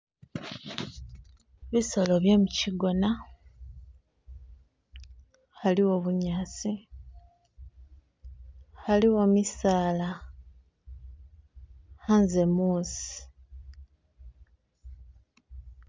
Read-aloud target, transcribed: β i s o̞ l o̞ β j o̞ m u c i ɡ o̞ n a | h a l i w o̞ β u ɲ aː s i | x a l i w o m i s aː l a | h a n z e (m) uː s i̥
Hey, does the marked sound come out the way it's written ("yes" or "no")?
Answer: yes